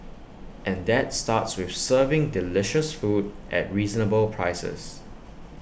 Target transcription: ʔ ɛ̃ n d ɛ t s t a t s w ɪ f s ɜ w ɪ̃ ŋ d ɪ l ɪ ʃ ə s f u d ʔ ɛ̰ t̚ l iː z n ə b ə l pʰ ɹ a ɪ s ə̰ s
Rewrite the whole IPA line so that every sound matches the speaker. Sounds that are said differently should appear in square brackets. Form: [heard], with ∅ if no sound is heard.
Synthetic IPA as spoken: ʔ ɛ̃ n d ɛ t s t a t s w ɪ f s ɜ [v] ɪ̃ ŋ d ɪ l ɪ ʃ ə s f u d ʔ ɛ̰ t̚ [ɹ] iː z n ə b ə l pʰ ɹ a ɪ s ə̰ s